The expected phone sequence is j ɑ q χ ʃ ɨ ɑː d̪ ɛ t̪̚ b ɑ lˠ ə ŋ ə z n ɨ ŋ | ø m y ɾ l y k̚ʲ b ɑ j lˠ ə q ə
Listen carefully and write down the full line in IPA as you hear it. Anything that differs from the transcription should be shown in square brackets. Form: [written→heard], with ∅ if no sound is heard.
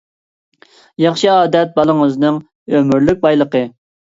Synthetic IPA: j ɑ [q→∅] χ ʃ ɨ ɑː d̪ ɛ t̪̚ b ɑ lˠ ə ŋ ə z n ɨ ŋ | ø m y ɾ l y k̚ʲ b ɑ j lˠ ə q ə